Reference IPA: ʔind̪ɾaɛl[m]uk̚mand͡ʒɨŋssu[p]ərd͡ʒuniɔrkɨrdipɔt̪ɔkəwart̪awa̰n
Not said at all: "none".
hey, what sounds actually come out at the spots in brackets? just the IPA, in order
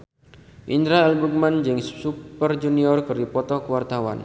b, p

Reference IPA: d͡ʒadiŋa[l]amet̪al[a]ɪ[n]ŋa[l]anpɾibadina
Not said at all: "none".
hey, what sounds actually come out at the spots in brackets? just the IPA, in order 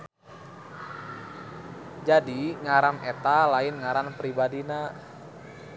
ɾ, a, n, ɾ

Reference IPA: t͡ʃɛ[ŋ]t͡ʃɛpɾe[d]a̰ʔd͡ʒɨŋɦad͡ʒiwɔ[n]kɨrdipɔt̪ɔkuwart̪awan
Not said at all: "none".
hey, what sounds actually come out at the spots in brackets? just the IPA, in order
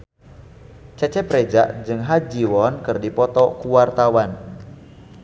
none, d͡ʒ, n

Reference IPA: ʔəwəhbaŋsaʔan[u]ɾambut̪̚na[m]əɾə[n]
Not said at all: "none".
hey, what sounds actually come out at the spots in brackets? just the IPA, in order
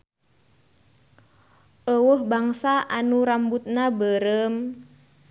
u, b, m

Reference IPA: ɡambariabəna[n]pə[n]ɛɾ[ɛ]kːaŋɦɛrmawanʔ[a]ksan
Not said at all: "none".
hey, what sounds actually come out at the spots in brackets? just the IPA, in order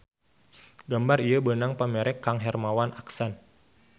ŋ, m, ɛ, a

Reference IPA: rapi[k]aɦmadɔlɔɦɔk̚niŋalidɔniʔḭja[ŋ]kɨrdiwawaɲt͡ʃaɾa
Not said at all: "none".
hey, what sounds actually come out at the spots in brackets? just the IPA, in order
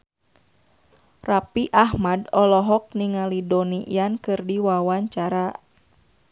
ʔ, n

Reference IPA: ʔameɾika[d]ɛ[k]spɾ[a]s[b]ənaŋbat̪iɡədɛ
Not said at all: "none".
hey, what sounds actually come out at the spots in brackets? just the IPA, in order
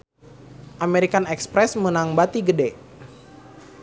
n, k, ɛ, m

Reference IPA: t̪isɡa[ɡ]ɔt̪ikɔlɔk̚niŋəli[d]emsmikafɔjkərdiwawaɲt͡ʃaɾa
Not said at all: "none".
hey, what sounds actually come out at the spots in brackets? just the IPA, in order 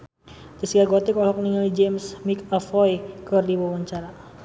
ɡ, d͡ʒ

